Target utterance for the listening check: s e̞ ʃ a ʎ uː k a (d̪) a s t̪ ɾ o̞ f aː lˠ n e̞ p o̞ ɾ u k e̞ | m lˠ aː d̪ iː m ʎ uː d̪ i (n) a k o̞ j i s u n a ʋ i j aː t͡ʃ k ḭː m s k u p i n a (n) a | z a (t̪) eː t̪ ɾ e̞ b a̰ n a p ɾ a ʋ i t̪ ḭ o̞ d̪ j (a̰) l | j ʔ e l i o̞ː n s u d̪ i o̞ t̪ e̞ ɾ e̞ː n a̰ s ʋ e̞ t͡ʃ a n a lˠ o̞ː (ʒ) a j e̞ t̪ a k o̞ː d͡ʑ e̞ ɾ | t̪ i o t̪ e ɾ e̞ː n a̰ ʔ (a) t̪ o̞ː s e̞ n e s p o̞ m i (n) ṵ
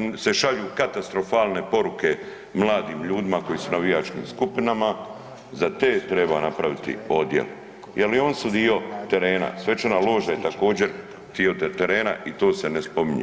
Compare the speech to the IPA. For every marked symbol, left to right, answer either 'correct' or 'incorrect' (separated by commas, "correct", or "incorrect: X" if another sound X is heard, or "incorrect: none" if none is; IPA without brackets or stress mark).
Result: incorrect: t̪, incorrect: m, incorrect: m, correct, incorrect: ḛ, correct, incorrect: i, incorrect: ɲ